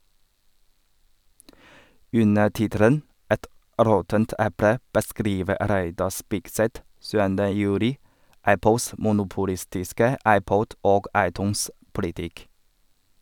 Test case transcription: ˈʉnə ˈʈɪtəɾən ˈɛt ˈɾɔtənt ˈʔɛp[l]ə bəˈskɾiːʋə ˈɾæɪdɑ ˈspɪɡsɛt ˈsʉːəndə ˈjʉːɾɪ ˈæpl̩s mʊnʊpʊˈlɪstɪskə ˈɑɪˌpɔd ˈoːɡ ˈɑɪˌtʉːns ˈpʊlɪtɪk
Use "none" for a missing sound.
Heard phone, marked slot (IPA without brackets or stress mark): ɽ